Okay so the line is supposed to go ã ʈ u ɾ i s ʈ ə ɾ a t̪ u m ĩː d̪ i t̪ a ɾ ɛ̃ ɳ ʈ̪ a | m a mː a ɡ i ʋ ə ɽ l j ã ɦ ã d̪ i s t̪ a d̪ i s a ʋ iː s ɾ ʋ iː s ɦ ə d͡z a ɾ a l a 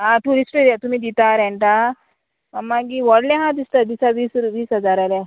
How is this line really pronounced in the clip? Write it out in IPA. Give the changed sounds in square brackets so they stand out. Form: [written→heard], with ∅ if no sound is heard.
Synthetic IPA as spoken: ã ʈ u ɾ i s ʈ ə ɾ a t̪ u m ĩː d̪ i t̪ a ɾ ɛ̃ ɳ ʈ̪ a | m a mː a ɡ i ʋ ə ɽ l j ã ɦ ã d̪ i s t̪ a d̪ i s a ʋ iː s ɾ ʋ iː s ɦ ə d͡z a ɾ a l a

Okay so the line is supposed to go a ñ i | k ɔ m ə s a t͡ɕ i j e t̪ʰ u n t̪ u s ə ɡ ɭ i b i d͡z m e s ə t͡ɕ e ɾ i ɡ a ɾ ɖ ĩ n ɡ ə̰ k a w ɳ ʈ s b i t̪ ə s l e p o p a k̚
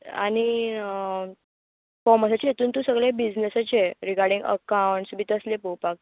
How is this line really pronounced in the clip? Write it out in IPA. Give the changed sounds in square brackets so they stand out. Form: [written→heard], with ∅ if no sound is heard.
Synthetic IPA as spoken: a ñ i | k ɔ m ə s a t͡ɕ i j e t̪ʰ [u→uː] n t̪ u s ə ɡ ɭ [i→e] b i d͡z [m→n] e s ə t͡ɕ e ɾ i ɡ a ɾ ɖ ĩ [n→ŋ] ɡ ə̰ k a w ɳ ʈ s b i t̪ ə s l e p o p a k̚

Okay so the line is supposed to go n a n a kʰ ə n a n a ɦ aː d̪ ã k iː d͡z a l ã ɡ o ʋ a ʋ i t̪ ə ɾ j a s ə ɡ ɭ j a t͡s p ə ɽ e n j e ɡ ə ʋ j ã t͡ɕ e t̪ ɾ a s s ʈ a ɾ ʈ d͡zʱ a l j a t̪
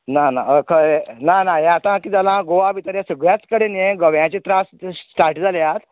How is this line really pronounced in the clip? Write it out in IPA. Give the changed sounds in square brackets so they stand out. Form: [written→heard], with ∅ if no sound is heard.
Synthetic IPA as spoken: n a n a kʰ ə n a n a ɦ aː [d̪→t̪] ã k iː d͡z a l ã ɡ o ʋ a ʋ i t̪ ə ɾ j a s ə ɡ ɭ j a t͡s [p→k] ə ɽ e n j e ɡ ə ʋ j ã t͡ɕ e t̪ ɾ a s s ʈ a ɾ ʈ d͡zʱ a l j a t̪

